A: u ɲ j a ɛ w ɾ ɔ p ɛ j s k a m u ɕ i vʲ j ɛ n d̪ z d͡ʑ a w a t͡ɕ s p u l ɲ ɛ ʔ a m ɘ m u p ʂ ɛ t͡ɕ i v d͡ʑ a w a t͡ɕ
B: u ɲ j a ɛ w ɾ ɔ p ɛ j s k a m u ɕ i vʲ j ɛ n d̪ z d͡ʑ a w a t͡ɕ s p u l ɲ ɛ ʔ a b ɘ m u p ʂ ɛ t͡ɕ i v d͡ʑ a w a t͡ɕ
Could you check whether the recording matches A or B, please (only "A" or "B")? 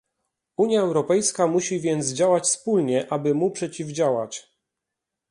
B